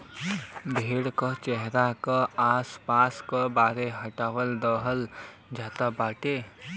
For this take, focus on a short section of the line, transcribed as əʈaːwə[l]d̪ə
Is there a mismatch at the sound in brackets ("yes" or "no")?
no